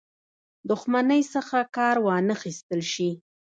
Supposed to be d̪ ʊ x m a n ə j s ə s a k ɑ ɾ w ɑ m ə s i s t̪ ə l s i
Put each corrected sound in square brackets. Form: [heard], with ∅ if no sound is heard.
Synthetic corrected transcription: d̪ ʊ x m a n ə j s ə [x] a k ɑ ɾ w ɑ [n] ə [x] i s t̪ ə l [ʃ] i